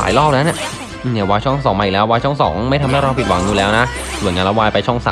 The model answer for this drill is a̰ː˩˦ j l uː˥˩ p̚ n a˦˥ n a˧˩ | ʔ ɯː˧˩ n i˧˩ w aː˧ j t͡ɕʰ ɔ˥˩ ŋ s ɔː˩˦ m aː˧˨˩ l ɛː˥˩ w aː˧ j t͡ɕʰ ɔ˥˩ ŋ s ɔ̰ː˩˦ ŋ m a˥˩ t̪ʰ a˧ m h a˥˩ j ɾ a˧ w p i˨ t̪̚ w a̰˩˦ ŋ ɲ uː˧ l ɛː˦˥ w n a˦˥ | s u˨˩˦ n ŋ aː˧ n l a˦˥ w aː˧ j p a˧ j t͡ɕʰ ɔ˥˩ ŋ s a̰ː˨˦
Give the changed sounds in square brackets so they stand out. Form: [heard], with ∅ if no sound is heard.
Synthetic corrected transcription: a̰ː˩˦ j l [ɔː˥˩] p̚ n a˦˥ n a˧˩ | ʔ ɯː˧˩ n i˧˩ w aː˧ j t͡ɕʰ ɔ˥˩ ŋ s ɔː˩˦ m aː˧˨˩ l [ɛː˦˥] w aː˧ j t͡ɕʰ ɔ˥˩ ŋ s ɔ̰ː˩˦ ŋ m a˥˩ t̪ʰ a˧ m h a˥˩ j ɾ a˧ w p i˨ t̪̚ w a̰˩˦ ŋ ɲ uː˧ l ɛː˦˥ w n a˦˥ | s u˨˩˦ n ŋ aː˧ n l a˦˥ w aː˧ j p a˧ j t͡ɕʰ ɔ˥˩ ŋ s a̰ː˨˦